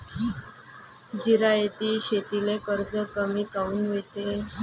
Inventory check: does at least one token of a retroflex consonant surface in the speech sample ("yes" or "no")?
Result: no